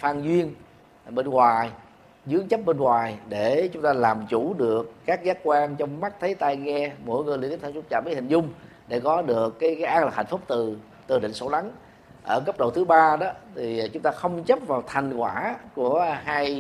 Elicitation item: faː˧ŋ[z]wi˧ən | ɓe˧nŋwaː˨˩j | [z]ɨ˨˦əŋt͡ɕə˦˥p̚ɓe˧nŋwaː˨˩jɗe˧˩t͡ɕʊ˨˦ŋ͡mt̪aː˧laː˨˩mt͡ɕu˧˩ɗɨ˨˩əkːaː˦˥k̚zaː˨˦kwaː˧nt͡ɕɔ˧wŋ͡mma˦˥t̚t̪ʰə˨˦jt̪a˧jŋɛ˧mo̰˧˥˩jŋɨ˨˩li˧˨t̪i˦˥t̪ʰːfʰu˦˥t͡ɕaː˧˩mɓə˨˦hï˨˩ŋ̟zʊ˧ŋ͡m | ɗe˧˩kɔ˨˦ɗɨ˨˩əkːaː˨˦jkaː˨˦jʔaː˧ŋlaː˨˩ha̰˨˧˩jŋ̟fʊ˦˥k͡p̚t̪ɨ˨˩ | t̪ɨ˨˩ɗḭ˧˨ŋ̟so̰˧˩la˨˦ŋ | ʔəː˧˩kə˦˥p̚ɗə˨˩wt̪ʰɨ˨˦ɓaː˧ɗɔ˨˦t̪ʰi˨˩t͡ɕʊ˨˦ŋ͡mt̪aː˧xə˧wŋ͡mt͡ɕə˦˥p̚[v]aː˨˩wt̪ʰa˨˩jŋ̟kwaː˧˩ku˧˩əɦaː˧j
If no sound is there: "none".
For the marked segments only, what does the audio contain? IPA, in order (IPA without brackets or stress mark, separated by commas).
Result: z, z, v